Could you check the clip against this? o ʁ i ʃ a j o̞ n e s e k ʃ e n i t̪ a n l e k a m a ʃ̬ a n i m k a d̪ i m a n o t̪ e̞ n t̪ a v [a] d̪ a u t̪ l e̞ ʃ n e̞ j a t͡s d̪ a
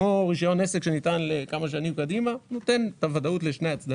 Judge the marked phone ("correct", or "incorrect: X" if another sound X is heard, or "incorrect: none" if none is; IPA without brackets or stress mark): correct